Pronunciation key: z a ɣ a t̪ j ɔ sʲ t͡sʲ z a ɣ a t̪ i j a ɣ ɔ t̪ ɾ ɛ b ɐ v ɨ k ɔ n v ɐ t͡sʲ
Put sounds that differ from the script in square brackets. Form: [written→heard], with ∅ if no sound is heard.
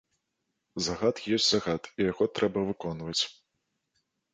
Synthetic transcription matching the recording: z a ɣ a t̪ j ɔ sʲ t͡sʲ z a ɣ a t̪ i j a ɣ ɔ t̪ ɾ ɛ b ɐ v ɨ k ɔ n v ɐ t͡sʲ